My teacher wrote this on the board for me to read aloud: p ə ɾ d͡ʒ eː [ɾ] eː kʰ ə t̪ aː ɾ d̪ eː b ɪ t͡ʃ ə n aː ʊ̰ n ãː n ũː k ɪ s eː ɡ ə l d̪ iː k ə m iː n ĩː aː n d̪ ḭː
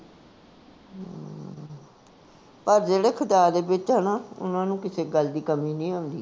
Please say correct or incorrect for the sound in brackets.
incorrect